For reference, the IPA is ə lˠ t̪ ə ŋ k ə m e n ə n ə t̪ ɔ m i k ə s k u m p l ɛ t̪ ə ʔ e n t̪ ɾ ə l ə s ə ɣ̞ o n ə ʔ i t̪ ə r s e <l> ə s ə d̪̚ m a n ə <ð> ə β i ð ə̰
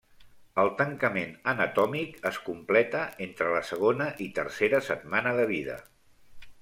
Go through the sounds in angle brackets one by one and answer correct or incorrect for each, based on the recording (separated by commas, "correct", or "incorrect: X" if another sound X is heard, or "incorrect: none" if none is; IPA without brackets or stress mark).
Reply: incorrect: ɾ, correct